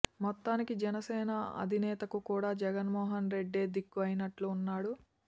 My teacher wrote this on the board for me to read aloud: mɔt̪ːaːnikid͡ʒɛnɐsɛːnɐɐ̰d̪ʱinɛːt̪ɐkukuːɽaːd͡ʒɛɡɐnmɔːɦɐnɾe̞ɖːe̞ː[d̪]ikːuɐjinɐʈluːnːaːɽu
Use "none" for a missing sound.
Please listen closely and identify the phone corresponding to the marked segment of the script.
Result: d̪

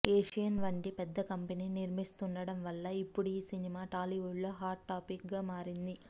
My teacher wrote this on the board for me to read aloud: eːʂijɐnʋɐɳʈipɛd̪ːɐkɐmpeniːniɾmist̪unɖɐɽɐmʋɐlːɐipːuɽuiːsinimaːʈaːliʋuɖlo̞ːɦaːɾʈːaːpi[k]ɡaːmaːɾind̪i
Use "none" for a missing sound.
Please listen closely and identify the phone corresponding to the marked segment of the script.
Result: k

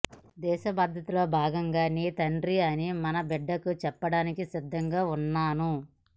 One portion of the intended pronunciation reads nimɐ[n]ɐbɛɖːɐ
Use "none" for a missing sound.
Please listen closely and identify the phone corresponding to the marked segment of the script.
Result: n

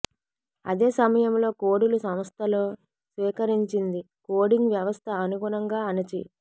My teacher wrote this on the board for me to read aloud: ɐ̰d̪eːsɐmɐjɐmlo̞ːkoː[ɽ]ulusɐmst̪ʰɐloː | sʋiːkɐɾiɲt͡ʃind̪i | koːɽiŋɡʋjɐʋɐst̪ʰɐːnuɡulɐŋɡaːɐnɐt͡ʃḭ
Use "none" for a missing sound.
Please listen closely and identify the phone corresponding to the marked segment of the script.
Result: ɽ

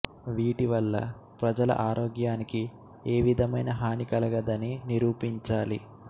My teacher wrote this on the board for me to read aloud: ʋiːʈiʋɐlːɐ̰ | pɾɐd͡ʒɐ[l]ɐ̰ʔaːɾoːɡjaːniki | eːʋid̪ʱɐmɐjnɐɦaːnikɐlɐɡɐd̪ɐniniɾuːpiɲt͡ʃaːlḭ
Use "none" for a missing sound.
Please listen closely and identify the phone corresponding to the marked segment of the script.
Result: l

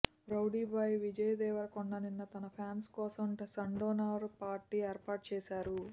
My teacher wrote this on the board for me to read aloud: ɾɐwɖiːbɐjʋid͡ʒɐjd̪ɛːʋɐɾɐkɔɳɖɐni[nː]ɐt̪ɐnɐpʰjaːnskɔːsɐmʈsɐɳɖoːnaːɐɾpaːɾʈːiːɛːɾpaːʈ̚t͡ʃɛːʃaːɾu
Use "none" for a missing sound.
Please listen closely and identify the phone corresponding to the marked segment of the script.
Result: nː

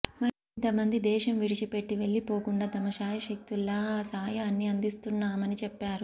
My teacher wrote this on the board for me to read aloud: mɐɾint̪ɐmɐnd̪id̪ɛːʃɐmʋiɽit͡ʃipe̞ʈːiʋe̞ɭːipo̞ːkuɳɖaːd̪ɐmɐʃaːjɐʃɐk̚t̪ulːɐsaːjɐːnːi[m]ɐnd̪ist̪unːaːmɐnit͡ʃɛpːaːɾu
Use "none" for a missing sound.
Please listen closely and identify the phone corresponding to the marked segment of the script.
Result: none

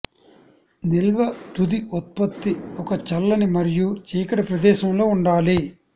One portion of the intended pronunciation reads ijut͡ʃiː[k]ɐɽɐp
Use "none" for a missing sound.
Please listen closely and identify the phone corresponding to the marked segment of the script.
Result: k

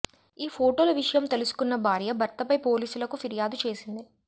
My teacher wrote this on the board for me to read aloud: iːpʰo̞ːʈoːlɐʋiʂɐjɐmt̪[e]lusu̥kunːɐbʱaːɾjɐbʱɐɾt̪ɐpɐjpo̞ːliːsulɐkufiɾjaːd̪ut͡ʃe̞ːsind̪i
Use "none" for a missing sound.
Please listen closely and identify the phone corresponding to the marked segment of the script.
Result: e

